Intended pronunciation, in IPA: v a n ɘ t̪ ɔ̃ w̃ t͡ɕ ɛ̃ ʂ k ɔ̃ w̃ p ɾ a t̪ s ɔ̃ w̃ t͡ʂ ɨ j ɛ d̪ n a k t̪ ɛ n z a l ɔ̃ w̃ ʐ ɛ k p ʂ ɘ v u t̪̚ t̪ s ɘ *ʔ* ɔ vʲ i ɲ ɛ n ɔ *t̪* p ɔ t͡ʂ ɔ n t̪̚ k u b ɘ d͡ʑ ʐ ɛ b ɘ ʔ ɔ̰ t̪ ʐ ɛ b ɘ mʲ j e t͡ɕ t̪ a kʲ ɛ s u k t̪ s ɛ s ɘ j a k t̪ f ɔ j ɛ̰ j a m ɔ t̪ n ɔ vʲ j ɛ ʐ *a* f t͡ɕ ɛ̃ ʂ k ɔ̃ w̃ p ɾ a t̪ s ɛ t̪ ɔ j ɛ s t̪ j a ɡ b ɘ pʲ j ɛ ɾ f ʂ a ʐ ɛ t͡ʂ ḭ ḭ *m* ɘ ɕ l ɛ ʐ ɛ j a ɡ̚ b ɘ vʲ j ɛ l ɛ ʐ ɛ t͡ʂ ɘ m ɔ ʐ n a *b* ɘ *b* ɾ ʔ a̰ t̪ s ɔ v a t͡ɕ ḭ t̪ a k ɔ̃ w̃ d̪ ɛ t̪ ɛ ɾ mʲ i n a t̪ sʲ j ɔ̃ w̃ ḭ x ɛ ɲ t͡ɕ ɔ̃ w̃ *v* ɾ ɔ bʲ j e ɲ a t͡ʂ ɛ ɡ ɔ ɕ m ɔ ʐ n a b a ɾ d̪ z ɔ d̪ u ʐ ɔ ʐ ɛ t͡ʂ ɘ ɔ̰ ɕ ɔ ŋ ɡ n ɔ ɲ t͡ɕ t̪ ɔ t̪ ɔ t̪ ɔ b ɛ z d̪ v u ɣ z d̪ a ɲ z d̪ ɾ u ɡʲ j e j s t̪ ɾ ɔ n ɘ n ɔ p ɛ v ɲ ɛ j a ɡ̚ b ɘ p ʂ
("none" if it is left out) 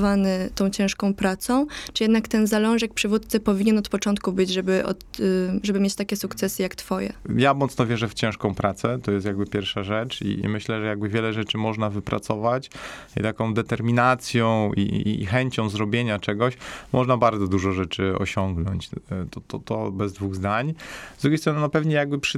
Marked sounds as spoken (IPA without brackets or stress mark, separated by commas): p, t̪, ɛ, m, v, p, z